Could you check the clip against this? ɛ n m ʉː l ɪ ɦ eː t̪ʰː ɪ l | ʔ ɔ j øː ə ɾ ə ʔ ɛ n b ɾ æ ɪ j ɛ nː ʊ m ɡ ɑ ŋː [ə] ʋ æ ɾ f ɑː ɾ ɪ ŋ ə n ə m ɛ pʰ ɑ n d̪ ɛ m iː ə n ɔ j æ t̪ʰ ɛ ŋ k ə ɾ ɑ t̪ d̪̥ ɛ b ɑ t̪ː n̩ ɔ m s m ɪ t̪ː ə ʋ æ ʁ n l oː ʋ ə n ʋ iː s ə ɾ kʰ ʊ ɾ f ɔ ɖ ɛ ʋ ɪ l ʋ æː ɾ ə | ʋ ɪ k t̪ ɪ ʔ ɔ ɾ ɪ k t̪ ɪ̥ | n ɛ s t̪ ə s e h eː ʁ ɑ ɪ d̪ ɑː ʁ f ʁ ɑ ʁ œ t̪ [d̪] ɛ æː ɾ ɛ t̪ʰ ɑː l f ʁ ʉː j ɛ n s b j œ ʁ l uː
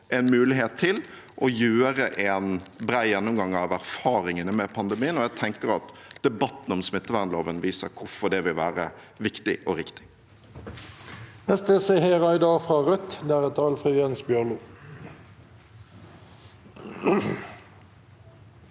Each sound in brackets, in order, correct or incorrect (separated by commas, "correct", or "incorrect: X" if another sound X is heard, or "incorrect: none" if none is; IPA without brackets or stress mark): incorrect: ɑ, correct